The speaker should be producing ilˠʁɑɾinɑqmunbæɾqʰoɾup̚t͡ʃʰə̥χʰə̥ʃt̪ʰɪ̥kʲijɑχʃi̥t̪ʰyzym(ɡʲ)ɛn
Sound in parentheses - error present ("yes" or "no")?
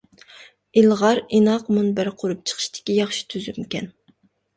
yes